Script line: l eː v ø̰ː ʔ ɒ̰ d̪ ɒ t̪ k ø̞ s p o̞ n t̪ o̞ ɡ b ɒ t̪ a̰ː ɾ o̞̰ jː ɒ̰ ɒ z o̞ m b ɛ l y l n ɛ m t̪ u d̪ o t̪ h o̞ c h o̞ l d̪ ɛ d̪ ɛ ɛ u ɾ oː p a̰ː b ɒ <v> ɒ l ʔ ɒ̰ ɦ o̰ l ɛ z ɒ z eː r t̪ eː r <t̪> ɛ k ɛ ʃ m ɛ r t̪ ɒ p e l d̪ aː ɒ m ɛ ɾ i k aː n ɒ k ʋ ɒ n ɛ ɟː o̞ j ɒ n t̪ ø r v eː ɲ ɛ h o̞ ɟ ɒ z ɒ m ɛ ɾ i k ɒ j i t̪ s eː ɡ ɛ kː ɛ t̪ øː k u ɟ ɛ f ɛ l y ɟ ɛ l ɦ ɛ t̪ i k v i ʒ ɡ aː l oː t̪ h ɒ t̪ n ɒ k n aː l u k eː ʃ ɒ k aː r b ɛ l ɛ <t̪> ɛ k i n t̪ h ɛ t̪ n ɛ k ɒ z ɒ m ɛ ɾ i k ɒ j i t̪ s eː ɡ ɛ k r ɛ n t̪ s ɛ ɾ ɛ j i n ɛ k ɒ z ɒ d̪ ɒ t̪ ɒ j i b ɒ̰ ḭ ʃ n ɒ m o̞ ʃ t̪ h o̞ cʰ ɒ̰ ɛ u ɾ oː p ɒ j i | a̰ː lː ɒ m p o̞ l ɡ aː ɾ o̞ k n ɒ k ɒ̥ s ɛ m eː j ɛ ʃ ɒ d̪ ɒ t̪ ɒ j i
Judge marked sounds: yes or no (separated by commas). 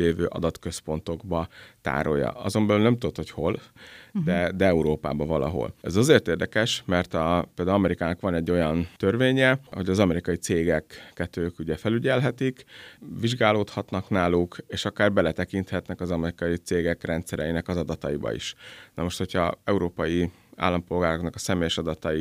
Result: yes, no, yes